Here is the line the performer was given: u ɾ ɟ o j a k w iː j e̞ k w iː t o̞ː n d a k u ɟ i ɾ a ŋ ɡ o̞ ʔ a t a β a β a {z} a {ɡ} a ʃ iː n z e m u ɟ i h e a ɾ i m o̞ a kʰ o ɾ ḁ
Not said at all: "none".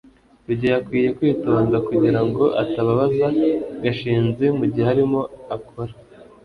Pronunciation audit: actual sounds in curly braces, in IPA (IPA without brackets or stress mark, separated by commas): z, ɡ